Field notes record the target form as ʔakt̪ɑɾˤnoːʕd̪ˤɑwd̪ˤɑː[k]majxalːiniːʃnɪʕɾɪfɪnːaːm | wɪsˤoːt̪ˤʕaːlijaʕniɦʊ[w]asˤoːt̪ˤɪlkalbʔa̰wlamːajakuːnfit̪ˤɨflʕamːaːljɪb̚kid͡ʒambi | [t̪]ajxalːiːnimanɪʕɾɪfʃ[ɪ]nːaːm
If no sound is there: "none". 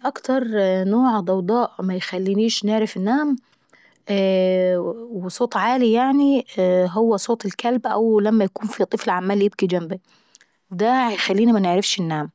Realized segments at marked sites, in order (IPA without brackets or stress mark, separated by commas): ʔ, wː, d̪, ɪ